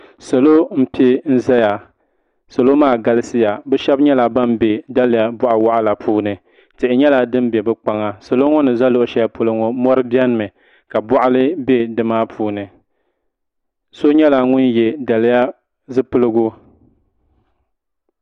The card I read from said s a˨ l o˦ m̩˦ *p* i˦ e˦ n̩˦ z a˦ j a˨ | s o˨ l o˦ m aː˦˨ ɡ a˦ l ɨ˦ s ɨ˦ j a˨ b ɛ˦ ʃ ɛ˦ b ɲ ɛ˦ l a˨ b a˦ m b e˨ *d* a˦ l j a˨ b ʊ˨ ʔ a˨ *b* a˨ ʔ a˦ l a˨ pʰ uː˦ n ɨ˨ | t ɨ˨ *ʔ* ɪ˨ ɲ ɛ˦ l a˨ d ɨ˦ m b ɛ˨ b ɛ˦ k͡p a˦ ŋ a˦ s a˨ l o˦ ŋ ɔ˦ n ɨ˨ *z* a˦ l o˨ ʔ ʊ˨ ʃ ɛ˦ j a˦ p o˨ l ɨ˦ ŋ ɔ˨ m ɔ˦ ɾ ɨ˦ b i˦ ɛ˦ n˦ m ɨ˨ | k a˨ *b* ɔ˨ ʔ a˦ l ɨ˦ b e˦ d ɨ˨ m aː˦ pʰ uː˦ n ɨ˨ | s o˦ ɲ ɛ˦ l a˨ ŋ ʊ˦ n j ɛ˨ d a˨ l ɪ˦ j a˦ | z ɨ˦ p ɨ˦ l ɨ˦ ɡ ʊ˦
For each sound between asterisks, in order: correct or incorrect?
correct, correct, incorrect, correct, correct, correct

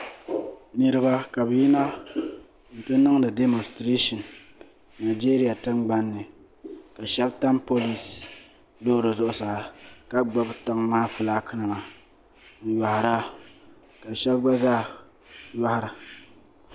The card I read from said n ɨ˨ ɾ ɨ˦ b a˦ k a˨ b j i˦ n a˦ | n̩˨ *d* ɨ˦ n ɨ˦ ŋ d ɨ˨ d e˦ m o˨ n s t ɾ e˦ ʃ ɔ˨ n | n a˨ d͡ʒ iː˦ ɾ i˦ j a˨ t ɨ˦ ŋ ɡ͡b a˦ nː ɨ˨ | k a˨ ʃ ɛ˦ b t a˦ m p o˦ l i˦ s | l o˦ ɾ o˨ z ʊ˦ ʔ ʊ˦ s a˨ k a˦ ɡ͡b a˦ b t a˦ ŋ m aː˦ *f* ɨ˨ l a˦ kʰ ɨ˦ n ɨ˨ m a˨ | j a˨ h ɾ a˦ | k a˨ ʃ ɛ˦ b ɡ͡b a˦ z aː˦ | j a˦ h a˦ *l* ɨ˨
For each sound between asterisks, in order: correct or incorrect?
incorrect, correct, incorrect

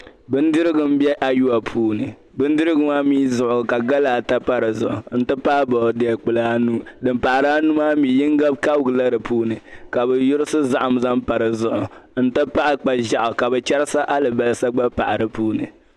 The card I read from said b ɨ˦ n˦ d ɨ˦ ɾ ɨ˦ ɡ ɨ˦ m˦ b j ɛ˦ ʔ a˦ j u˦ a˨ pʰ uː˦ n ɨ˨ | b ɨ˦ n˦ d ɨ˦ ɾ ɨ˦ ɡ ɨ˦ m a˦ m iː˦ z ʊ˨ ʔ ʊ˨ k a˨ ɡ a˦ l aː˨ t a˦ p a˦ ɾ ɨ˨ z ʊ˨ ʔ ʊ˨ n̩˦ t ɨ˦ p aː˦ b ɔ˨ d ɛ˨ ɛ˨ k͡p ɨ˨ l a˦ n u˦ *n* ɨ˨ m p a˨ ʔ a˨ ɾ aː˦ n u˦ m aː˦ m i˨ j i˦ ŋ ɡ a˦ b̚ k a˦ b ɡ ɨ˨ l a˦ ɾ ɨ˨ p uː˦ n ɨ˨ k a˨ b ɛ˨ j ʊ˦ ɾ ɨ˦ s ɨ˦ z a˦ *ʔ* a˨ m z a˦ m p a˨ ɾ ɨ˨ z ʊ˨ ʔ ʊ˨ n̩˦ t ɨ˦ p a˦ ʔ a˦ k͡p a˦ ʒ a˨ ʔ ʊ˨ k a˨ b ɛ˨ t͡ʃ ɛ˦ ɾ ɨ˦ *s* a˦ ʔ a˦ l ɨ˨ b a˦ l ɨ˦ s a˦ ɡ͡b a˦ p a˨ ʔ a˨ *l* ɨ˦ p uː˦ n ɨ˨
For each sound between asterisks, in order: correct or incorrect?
incorrect, correct, correct, incorrect

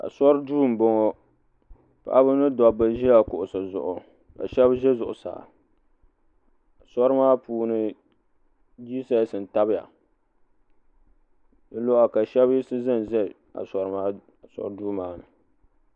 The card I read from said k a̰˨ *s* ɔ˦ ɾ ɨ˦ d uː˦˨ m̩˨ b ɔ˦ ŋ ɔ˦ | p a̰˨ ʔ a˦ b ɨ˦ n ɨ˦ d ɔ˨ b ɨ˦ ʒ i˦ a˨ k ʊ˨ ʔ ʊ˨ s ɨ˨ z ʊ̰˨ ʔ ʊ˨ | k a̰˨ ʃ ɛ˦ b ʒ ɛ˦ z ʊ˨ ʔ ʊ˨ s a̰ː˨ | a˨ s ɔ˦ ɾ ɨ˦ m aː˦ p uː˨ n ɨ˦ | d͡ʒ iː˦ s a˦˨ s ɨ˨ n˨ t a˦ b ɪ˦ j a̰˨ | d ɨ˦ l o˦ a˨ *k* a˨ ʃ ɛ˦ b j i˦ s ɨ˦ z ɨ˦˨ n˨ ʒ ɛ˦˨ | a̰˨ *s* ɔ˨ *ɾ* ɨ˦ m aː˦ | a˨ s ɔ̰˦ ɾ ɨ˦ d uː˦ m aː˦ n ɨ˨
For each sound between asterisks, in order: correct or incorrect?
correct, correct, correct, correct

